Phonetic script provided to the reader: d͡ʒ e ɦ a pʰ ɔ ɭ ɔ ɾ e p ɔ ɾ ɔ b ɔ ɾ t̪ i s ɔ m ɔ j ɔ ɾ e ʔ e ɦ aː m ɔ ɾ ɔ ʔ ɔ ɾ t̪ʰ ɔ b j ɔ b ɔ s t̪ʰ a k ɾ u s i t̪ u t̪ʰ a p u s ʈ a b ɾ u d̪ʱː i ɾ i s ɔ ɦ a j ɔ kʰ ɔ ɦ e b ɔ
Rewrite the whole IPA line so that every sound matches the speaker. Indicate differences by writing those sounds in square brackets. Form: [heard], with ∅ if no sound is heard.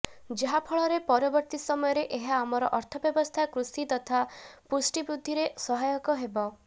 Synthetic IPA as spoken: d͡ʒ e ɦ a pʰ ɔ ɭ ɔ ɾ e p ɔ ɾ ɔ b ɔ ɾ t̪ i s ɔ m ɔ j ɔ ɾ e ʔ e ɦ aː m ɔ ɾ ɔ ʔ ɔ ɾ t̪ʰ ɔ b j ɔ b ɔ s t̪ʰ a k ɾ u s i t̪ [ɔ] t̪ʰ a p u s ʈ [i] b ɾ u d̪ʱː i ɾ [e] s ɔ ɦ a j ɔ [k] ɔ ɦ e b ɔ